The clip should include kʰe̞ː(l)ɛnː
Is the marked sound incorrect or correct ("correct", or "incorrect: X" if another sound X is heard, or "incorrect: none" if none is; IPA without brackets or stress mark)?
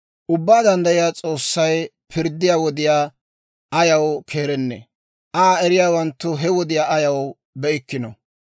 incorrect: ɾ